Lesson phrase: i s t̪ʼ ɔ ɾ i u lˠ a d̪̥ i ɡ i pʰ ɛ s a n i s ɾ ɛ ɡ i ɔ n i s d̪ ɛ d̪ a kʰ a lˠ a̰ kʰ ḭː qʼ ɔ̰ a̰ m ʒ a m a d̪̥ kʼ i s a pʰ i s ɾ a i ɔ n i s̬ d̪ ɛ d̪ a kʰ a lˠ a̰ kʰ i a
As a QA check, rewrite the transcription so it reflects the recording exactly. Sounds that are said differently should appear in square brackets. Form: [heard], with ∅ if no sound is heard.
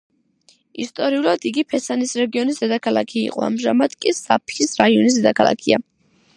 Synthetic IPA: i s t̪ʼ ɔ ɾ i u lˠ a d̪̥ i ɡ i pʰ ɛ s a n i s ɾ ɛ ɡ i ɔ n i s d̪ ɛ d̪ a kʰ a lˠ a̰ kʰ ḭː qʼ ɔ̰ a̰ m ʒ a m a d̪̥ kʼ i s a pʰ i s ɾ a i ɔ n i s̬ d̪ ɛ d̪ a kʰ a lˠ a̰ kʰ i a